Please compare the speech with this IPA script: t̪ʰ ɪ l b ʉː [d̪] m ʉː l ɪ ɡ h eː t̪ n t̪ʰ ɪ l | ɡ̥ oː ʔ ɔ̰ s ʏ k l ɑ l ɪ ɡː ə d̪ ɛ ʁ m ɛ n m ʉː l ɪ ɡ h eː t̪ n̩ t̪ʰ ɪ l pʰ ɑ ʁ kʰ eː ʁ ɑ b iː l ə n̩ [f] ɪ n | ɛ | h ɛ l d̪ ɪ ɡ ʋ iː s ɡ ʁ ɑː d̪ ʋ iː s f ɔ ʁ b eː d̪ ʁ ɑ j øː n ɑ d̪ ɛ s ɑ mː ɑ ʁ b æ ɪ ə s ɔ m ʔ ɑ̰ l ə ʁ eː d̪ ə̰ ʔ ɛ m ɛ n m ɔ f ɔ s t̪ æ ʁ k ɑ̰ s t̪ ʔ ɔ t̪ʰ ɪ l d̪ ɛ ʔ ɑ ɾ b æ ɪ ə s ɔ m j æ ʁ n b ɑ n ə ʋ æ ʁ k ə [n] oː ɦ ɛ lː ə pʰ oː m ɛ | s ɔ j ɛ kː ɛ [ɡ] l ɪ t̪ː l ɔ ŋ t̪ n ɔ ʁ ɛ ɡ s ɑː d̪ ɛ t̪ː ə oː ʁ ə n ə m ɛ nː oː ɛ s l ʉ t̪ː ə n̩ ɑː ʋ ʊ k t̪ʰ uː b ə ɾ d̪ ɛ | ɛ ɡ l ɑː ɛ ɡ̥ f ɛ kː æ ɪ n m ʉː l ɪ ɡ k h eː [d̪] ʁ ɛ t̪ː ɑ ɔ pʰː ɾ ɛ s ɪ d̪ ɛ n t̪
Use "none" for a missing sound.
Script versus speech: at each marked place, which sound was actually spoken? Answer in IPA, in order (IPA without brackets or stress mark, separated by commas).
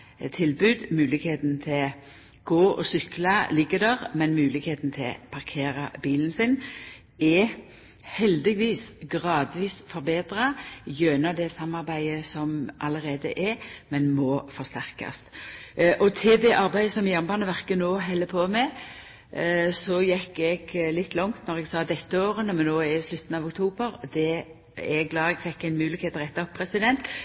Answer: d̪, s, n, ɡ, t̪